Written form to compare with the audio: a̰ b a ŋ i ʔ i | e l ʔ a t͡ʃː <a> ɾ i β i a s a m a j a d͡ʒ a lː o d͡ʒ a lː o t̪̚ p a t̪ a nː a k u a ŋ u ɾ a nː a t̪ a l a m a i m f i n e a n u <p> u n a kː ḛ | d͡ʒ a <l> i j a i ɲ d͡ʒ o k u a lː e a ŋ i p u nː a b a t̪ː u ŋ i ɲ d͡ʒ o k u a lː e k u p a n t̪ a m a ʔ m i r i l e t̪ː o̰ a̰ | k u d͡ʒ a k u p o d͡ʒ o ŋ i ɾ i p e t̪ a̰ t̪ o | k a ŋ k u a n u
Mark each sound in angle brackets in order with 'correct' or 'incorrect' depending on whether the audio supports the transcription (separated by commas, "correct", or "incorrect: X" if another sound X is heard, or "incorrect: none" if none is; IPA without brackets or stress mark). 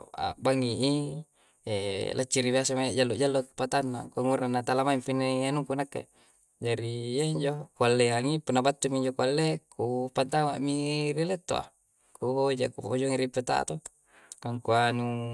incorrect: i, incorrect: k, incorrect: ɾ